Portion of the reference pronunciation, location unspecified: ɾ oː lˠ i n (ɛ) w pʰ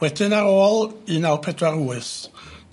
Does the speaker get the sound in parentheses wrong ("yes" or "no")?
yes